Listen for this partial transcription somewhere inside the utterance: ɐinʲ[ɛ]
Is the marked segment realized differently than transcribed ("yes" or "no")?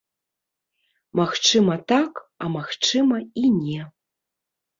no